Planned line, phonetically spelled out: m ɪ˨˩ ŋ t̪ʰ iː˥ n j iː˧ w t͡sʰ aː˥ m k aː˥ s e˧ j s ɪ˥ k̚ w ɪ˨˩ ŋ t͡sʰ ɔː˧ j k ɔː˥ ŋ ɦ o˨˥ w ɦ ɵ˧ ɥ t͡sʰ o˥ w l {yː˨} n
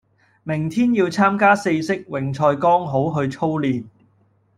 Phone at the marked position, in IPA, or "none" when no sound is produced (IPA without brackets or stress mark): iː˨